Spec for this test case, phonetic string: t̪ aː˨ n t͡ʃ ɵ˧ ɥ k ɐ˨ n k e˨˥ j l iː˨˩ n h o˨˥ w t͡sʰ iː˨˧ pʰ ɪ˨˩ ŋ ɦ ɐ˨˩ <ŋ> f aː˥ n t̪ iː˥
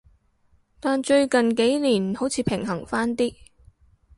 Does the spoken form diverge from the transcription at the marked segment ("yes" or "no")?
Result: no